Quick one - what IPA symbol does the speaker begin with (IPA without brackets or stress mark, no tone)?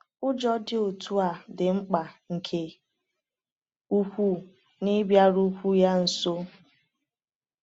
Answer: ʊ